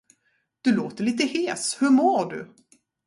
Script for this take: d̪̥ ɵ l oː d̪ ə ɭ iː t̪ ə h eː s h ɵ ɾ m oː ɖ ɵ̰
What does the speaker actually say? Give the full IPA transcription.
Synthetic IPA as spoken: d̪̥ ɵ l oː t̪ ə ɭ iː t̪ ə h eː s h ɵ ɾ m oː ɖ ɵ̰